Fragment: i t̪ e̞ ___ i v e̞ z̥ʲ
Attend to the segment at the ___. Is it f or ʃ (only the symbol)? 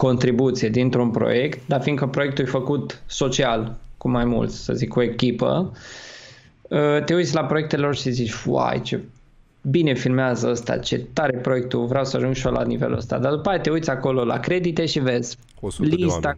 ʃ